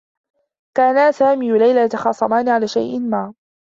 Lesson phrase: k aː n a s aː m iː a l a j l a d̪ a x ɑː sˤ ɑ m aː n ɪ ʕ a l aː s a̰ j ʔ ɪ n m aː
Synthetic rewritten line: k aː n a s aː m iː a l a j l a t̪ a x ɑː sˤ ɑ m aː n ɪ ʕ a l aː ʃ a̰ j ʔ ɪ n m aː